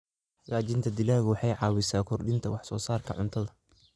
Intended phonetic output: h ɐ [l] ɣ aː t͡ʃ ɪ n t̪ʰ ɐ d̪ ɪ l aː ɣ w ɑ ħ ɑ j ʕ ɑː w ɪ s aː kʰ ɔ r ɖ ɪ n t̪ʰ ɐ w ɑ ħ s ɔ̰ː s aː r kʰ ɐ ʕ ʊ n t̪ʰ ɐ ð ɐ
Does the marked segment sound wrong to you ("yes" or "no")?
yes